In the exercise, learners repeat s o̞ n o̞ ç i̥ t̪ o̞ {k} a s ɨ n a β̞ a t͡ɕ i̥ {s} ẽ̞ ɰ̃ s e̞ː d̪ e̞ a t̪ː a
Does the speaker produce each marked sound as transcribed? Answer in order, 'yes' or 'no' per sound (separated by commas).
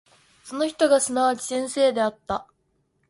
no, yes